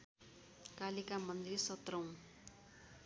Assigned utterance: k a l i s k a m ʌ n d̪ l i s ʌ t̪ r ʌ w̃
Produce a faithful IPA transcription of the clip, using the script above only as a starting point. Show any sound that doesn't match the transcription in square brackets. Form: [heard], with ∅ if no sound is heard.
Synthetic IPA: k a l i [∅] k a m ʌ n d̪ [r] i s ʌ t̪ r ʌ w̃